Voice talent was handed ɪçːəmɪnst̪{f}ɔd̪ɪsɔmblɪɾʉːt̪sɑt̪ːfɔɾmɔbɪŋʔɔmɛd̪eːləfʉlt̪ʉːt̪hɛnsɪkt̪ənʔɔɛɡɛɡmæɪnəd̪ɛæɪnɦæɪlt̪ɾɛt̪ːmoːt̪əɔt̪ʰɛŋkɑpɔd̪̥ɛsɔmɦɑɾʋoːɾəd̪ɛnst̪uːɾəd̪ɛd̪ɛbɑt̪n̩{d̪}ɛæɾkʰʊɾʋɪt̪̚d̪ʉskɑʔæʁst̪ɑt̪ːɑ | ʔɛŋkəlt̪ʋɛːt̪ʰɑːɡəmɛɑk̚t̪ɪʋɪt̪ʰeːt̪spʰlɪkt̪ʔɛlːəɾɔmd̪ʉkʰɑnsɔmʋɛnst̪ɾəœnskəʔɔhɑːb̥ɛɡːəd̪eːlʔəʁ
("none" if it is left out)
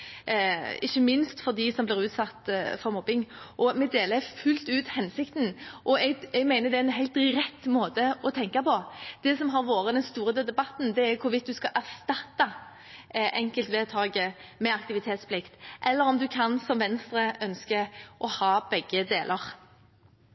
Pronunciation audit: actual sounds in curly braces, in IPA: f, d̪

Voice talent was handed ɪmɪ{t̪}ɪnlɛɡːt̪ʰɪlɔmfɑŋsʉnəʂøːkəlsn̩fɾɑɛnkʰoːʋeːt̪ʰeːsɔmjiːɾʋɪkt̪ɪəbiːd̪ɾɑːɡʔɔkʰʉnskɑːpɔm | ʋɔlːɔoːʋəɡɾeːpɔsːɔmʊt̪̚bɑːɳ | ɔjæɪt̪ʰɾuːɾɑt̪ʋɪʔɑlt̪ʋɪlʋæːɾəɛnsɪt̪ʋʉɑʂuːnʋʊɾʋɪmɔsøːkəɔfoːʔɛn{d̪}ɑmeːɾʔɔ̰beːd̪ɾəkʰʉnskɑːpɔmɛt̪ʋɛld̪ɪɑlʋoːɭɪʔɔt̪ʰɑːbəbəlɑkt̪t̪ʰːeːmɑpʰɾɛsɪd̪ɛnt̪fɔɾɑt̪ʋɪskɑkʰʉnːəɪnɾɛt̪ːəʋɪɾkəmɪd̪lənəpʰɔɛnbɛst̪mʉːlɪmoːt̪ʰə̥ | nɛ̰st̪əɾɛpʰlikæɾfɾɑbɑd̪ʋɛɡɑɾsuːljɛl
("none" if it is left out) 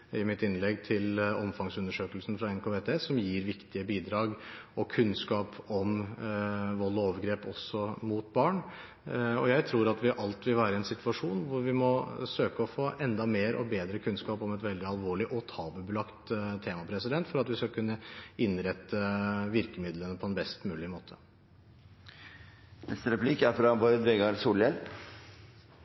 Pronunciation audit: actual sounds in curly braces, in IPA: t̪, d̪

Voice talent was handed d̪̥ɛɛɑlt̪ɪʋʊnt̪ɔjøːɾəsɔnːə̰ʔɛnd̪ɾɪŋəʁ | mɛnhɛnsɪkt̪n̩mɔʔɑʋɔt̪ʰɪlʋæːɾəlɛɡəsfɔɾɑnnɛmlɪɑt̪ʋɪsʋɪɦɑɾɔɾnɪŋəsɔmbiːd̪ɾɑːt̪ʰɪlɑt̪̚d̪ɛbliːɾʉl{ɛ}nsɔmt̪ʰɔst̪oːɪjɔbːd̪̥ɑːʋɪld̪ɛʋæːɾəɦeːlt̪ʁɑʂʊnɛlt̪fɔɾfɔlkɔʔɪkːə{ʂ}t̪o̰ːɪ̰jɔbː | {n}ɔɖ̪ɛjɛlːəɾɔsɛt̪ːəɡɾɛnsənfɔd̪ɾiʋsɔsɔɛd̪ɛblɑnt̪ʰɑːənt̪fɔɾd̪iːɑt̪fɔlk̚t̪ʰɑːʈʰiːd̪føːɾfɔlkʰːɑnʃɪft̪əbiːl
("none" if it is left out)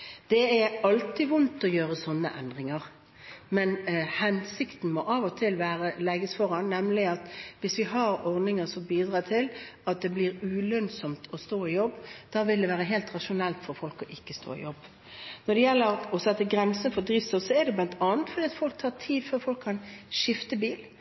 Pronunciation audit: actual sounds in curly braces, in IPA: œ, s, n

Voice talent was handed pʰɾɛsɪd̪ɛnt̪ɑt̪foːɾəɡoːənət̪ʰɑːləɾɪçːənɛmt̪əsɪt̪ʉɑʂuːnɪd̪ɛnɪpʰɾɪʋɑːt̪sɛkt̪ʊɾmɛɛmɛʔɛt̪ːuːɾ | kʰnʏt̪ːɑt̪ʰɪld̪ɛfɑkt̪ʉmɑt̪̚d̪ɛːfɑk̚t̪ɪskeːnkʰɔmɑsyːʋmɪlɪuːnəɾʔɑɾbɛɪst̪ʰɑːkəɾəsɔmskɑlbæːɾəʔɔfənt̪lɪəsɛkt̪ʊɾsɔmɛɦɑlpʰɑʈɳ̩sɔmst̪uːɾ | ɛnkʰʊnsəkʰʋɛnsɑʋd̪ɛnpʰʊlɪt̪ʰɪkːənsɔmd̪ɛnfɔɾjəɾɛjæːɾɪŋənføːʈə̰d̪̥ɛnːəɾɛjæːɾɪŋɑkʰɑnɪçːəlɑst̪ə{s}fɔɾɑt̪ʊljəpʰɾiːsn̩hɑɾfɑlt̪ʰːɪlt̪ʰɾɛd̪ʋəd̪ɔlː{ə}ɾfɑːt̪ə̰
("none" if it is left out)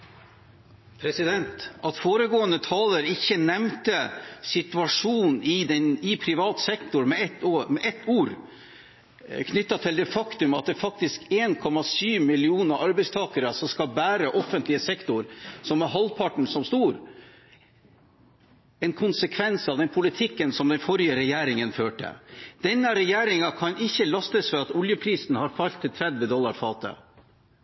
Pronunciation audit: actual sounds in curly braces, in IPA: s, ɑ

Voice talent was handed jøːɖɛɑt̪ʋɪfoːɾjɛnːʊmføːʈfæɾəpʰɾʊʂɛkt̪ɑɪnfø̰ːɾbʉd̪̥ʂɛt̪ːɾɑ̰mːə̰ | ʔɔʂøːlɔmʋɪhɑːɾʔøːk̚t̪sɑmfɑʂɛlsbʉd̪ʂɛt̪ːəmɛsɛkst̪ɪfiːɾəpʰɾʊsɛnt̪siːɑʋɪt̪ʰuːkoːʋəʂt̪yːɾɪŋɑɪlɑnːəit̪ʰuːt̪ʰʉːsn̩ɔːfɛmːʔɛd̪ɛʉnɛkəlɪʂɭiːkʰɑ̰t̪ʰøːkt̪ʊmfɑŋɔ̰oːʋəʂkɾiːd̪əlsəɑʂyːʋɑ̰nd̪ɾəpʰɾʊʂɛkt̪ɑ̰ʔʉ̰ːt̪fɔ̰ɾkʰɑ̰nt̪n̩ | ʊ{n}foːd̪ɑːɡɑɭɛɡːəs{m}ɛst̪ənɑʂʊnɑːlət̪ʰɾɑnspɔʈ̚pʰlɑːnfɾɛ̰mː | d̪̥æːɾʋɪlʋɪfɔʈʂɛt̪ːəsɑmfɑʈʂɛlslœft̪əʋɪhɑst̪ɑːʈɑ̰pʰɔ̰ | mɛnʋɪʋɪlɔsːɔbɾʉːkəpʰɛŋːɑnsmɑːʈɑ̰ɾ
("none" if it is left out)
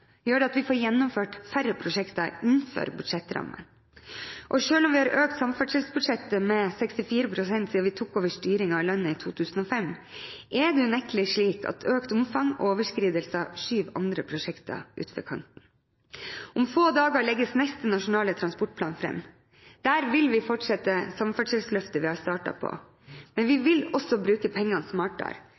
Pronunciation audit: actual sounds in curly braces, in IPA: m, n

